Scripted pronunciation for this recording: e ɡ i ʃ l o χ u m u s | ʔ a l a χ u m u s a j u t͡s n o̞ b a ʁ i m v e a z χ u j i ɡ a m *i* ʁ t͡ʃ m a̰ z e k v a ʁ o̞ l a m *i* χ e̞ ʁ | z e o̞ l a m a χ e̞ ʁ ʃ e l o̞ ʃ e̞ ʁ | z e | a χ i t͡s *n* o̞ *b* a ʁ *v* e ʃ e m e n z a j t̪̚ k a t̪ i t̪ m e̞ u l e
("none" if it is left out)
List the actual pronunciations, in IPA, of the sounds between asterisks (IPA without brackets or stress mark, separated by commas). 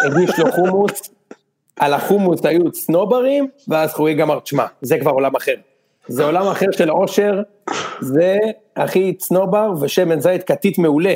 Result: a, a, n, b, v